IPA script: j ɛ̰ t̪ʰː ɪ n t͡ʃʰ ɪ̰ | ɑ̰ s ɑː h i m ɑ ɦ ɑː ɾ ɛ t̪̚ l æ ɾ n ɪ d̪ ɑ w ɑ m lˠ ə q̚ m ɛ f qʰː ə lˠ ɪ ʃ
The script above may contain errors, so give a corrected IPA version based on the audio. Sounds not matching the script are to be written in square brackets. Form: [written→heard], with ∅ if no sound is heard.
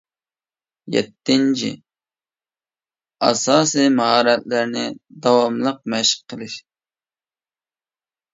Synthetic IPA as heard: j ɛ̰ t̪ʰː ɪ n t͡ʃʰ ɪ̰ | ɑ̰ s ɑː [h→s] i m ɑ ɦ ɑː ɾ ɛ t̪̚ l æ ɾ n ɪ d̪ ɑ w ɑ m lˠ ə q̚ m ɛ [f→ʃ] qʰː ə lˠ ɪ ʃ